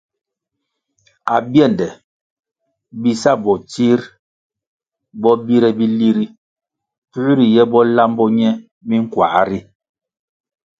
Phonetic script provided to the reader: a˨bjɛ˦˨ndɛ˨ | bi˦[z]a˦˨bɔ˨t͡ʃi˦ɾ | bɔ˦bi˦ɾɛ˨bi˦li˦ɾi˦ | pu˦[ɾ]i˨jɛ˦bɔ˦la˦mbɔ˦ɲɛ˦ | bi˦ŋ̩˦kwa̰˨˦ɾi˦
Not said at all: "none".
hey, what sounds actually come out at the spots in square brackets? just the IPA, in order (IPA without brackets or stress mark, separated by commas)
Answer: s, ɾ